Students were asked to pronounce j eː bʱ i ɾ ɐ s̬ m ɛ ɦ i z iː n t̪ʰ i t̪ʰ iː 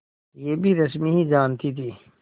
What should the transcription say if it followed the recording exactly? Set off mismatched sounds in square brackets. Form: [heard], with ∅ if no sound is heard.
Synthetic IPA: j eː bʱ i ɾ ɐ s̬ m [i] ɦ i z [aː] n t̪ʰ i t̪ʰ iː

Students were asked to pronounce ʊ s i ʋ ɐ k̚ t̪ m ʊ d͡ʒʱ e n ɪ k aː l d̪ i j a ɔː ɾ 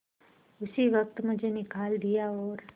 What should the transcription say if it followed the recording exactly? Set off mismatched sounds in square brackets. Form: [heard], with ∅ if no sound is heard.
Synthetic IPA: ʊ s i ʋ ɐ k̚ t̪ m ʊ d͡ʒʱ e n ɪ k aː l d̪ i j a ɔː ɾ

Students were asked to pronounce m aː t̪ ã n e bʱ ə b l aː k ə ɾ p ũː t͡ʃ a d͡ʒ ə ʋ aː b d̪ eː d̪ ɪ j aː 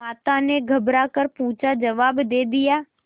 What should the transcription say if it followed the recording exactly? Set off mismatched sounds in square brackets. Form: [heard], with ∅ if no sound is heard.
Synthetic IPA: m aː t̪ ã n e [ɡʱ] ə b [ɾ] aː k ə ɾ p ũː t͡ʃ a d͡ʒ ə ʋ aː b d̪ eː d̪ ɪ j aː

